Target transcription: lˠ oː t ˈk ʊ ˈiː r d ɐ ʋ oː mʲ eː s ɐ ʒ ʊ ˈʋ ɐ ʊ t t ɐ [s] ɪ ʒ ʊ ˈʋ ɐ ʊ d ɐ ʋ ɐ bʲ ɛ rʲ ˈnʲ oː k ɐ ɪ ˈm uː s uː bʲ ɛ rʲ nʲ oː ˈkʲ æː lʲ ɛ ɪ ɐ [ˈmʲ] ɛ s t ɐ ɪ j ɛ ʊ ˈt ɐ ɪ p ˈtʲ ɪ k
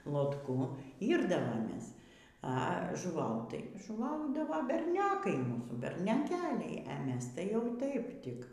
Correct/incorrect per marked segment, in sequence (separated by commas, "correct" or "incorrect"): incorrect, correct